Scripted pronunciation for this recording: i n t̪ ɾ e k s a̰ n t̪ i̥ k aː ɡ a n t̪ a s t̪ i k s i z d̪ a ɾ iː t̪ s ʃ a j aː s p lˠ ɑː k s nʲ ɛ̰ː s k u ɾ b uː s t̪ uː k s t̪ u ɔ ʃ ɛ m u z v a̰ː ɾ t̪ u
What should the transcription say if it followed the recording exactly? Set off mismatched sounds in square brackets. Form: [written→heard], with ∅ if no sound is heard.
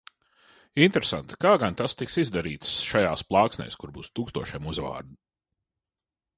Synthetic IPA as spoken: i n t̪ ɾ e [k→∅] s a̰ n t̪ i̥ k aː ɡ a n t̪ a s t̪ i k s i z d̪ a ɾ iː t̪ s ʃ a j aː s p lˠ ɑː k s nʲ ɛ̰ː s k u ɾ b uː s t̪ uː k s t̪ u ɔ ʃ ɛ m u z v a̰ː ɾ [t̪→d̪] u